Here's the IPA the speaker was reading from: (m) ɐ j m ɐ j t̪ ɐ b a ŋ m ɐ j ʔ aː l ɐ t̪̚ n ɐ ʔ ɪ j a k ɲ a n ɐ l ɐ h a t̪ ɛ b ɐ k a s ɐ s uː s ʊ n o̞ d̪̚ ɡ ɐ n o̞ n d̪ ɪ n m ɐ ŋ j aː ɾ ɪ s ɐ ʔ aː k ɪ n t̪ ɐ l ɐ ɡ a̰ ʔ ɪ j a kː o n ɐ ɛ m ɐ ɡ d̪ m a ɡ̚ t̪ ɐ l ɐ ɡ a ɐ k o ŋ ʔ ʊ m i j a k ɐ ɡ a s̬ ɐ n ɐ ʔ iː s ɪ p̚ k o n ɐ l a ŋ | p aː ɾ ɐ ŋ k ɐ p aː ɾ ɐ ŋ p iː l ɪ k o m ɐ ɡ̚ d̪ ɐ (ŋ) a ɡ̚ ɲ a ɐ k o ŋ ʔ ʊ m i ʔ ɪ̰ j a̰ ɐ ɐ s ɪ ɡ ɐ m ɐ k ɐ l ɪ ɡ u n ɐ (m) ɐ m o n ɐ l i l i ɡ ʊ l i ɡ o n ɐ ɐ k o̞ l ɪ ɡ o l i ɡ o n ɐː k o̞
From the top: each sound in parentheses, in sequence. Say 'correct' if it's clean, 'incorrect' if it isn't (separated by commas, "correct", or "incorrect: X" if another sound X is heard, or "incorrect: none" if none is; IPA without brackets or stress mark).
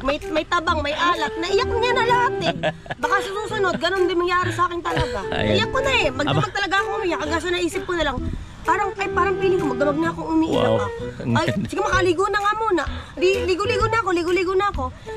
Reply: correct, incorrect: m, incorrect: ŋ